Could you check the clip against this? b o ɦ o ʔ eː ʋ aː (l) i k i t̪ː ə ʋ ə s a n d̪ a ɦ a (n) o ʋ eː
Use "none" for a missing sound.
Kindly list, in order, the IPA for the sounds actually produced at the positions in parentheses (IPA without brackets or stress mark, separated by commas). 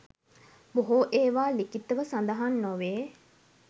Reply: l, nː